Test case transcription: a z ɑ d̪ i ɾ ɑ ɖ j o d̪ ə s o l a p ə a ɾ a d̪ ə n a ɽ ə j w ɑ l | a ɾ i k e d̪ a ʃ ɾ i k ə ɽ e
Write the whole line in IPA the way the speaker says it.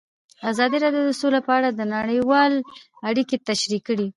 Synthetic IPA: a z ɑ d̪ i ɾ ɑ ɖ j o d̪ ə s o l a p ə a ɽ a d̪ ə n a ɽ ə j w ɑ l | a ɽ i k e t̪ a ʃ ɾ i k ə ɽ i